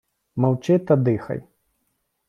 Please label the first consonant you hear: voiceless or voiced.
voiced